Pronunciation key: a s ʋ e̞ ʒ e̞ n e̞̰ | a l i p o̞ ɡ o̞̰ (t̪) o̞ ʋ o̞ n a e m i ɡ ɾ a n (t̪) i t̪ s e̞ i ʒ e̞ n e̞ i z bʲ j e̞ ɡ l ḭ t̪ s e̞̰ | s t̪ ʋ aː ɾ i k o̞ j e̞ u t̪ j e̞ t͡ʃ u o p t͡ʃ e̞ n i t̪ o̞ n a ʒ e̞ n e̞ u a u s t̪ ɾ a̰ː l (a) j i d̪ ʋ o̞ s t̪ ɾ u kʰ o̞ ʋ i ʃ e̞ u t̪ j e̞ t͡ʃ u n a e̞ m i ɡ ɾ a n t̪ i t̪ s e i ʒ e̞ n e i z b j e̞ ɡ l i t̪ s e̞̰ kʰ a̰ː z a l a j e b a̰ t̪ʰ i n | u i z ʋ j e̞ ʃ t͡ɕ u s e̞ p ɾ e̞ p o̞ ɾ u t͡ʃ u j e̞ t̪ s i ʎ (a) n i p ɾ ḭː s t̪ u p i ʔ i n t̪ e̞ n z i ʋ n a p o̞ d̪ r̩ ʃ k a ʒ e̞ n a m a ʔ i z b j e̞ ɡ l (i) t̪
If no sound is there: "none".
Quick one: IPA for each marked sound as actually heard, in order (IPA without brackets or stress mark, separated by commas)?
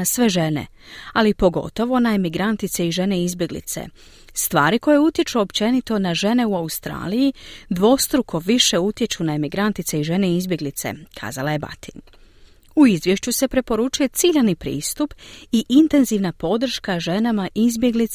t̪, t̪, i, a, i